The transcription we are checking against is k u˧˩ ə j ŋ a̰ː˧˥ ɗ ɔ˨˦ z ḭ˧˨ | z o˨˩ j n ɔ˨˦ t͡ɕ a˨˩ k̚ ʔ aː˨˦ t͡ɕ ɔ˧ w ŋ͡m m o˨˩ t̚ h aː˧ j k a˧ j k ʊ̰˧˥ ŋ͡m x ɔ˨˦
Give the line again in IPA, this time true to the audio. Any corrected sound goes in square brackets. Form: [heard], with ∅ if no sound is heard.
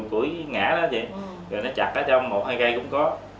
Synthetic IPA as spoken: k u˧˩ ə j ŋ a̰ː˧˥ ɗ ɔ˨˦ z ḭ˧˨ | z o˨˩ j n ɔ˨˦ t͡ɕ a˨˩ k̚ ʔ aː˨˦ t͡ɕ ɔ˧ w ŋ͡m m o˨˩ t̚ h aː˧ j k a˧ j k ʊ̰˧˥ ŋ͡m [k] ɔ˨˦